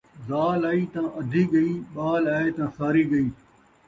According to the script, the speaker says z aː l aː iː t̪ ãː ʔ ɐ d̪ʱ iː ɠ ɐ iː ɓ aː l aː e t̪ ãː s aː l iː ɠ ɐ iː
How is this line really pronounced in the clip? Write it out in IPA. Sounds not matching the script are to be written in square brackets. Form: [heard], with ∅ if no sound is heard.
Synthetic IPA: z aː l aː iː t̪ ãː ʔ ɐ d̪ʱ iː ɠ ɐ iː ɓ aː l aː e t̪ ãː s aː [ɾ] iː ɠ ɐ iː